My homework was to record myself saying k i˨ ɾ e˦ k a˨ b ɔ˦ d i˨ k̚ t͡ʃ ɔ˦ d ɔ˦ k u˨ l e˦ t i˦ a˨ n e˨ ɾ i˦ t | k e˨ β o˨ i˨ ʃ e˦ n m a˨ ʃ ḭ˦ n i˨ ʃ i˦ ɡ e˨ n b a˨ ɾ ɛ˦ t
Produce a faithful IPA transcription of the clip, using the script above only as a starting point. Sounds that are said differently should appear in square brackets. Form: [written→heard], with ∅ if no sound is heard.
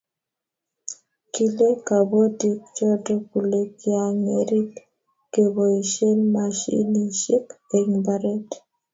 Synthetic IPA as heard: k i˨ [ɾ→l] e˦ k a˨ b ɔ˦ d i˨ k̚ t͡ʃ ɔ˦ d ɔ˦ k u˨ l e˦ [t→k] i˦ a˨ [n→ŋ] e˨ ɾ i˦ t | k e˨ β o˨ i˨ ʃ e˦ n m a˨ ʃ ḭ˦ n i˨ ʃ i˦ [ɡ→k] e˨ [n→ŋ] b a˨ ɾ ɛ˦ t